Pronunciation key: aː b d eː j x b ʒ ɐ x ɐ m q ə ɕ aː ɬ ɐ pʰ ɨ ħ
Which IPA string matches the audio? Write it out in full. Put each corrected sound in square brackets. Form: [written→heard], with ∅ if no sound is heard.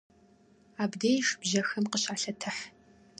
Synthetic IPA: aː b d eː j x b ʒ ɐ x ɐ m q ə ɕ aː ɬ ɐ [pʰ→tʰ] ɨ ħ